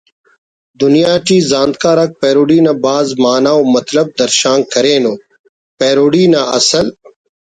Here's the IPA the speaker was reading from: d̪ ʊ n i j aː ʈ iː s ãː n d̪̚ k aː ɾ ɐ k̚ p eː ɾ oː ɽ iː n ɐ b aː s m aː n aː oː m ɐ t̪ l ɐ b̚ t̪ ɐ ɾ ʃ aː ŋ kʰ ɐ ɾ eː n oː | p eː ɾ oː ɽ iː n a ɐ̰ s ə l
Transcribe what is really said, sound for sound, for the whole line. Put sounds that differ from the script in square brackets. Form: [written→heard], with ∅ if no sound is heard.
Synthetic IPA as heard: d̪ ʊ n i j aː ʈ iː [s→z] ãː n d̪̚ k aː ɾ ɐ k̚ p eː ɾ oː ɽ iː n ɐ b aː [s→z] m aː n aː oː m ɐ t̪ l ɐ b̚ [t̪→d̪] ɐ ɾ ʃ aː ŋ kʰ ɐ ɾ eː n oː | p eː ɾ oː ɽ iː n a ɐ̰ s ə l